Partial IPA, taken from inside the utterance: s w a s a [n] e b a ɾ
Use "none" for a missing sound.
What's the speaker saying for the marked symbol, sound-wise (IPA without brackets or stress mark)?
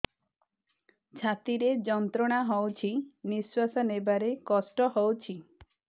n